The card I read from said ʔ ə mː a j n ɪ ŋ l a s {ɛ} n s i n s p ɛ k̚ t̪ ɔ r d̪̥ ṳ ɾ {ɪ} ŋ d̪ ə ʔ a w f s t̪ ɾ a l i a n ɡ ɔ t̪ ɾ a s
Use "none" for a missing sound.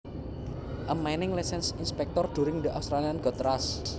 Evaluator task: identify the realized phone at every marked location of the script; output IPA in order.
ɛ, ɪ

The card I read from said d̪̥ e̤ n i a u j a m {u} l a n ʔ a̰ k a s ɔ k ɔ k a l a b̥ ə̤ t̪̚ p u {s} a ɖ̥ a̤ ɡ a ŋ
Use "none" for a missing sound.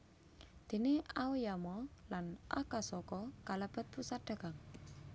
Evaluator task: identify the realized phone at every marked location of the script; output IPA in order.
ɔ, s

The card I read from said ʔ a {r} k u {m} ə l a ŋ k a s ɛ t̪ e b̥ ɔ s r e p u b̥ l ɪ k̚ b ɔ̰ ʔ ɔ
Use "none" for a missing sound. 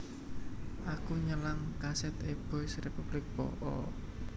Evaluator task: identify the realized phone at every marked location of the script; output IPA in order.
none, ɲ

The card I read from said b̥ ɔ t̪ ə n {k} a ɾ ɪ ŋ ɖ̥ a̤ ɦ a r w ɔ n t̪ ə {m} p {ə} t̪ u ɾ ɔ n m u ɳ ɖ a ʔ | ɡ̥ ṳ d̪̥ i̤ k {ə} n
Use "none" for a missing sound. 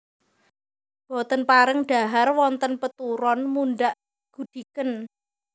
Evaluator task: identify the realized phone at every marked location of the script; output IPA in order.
p, n, ə, ə

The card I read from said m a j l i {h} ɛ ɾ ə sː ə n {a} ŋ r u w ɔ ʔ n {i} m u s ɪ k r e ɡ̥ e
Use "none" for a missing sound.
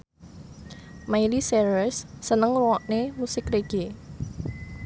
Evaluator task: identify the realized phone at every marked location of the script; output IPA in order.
s, ə, e

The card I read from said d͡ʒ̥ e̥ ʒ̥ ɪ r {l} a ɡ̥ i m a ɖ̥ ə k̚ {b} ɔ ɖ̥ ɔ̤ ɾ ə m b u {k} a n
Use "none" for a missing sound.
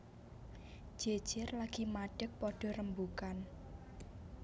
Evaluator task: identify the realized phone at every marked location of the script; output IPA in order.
l, p, k

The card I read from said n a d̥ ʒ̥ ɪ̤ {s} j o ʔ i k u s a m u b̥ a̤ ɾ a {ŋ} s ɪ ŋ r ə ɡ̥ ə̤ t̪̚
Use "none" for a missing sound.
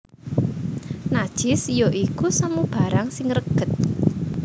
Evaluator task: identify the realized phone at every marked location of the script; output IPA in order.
s, ŋ

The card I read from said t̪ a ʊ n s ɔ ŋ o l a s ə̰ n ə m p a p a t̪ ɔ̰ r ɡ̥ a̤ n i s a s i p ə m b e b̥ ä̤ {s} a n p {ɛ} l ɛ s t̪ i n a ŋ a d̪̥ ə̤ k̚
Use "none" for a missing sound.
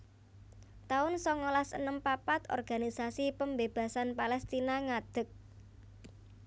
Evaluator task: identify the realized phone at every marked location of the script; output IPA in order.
s, a

